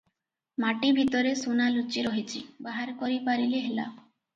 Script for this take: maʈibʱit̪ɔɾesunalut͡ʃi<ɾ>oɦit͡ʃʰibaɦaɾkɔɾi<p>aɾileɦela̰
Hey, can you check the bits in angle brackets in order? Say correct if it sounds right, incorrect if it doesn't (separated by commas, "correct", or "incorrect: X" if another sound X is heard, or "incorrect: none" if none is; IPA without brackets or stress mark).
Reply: correct, correct